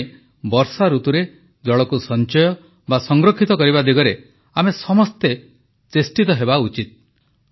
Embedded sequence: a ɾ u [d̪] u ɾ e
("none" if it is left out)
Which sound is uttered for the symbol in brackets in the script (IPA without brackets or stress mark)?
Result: t̪